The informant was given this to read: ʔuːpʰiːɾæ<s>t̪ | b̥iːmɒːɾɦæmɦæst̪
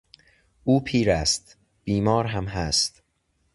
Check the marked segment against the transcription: correct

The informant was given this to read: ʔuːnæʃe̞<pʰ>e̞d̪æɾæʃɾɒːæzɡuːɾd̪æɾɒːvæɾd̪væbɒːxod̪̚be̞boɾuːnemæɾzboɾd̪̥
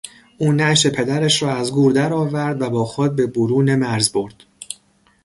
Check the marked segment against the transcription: correct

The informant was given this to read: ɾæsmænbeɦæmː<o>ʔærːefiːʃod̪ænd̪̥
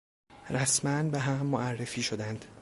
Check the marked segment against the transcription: correct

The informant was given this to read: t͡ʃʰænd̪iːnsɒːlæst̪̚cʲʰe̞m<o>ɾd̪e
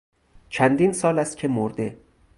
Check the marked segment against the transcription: correct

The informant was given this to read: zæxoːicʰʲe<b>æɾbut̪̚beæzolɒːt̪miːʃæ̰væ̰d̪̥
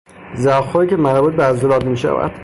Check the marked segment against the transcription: incorrect: m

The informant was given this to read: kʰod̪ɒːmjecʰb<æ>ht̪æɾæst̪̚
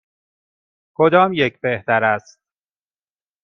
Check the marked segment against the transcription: incorrect: e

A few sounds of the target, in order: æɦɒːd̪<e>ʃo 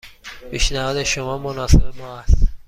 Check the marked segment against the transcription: correct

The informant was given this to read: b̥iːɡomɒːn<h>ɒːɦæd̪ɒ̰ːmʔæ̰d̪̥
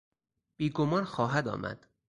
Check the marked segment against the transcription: incorrect: x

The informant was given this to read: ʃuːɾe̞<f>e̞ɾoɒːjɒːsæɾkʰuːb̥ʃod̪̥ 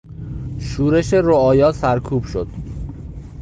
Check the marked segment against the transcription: incorrect: ʃ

